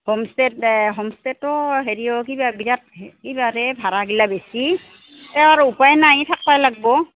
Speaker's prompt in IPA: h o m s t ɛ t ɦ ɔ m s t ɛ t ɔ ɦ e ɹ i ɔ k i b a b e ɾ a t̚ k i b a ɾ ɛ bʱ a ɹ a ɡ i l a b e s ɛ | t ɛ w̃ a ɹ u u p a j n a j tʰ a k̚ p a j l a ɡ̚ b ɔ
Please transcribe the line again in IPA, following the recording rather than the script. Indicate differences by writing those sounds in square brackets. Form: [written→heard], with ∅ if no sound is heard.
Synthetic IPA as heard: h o m s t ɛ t ɦ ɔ m s t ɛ t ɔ ɦ e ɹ i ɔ k i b a b [e→i] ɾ a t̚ k i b a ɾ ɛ bʱ a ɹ a ɡ i l a b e s [ɛ→i] | t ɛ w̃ a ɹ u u p a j n a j tʰ a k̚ p a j l a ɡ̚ b ɔ

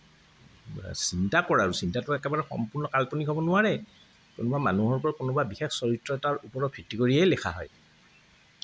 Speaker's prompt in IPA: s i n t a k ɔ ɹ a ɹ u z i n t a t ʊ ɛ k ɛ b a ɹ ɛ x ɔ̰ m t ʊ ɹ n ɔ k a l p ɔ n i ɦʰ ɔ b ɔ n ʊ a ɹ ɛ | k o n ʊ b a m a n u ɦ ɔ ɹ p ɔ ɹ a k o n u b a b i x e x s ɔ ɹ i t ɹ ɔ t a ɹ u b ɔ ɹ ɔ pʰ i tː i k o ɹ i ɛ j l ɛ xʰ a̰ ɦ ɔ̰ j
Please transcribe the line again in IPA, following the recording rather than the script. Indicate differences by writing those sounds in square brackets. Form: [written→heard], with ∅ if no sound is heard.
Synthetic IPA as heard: s i n t a k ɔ ɹ a ɹ u [z→s] i n t a t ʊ ɛ k ɛ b a ɹ ɛ x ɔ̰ m [t→p] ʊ ɹ n ɔ k a l p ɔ n i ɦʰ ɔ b ɔ n ʊ a ɹ ɛ | k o n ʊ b a m a n u ɦ ɔ ɹ p ɔ ɹ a k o n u b a b i x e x s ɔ ɹ i t ɹ ɔ t a ɹ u [b→p] ɔ ɹ ɔ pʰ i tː i k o ɹ i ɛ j l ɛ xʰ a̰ ɦ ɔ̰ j

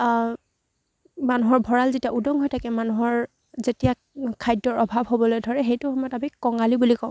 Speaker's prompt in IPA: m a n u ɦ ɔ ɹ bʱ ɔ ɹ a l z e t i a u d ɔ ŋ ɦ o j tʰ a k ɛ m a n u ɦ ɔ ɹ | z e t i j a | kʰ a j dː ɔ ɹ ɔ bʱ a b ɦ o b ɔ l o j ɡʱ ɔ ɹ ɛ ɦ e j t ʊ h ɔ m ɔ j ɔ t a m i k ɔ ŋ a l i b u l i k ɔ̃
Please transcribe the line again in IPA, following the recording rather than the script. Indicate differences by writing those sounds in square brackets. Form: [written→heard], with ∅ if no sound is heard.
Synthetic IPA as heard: m a n u ɦ ɔ ɹ bʱ ɔ ɹ a l z e t i a u d ɔ ŋ ɦ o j tʰ a k ɛ m a n u ɦ ɔ ɹ | z e t i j a | kʰ a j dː ɔ ɹ ɔ bʱ a b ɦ o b ɔ l o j [ɡʱ→dʱ] ɔ ɹ ɛ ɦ e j t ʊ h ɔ m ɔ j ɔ t a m i k ɔ ŋ a l i b u l i k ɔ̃

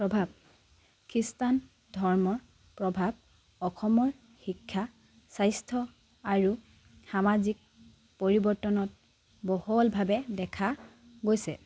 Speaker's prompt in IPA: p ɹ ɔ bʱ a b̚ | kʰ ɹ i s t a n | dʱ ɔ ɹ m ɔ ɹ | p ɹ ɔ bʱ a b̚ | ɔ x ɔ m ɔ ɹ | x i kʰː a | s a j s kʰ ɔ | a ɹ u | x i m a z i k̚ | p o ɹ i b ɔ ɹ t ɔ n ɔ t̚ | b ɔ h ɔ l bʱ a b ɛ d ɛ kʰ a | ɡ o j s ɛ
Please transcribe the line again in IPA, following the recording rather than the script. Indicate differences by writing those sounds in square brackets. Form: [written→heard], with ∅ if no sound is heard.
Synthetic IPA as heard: p ɹ ɔ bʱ a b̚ | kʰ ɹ i s t a n | dʱ ɔ ɹ m ɔ ɹ | p ɹ ɔ bʱ a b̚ | ɔ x ɔ m ɔ ɹ | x i kʰː a | s a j s [kʰ→tʰ] ɔ | a ɹ u | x [i→a] m a z i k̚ | p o ɹ i b ɔ ɹ t ɔ n ɔ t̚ | b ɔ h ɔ l bʱ a b ɛ d ɛ kʰ a | ɡ o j s ɛ

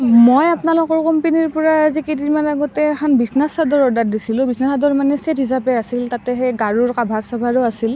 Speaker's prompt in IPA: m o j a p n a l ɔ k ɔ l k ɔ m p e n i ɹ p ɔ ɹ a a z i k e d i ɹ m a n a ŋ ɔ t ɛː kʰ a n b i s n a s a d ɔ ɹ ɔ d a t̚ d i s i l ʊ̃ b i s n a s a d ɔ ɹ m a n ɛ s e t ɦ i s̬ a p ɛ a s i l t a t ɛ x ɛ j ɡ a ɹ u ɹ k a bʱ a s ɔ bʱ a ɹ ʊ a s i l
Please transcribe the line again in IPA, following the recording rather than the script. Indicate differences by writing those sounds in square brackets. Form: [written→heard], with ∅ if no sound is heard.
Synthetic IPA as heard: m o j a p n a l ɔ k ɔ [l→ɹ] k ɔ m p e n i ɹ p ɔ ɹ a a z i k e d i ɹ m a n a [ŋ→ɡ] ɔ t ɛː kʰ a n b i s n a s a d ɔ ɹ ɔ d a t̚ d i s i l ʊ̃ b i s n a s a d ɔ ɹ m a n ɛ s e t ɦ i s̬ a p ɛ a s i l t a t ɛ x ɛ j ɡ a ɹ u ɹ k a bʱ a s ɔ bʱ a ɹ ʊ a s i l

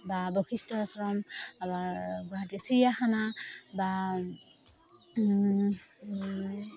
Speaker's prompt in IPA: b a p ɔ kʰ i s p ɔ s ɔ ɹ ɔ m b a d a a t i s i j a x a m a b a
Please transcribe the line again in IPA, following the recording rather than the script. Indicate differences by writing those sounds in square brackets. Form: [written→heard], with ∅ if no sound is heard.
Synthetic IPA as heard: b a [p→b] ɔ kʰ i s [p→t] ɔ s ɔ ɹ ɔ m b a [d→ɡ] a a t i s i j a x a [m→n] a b a

